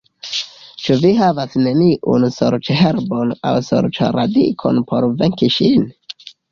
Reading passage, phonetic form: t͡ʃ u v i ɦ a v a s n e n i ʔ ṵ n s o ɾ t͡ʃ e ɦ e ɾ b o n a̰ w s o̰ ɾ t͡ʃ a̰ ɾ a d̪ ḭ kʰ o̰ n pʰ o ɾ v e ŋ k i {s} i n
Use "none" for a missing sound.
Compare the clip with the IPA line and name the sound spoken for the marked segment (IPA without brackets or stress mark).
ʃ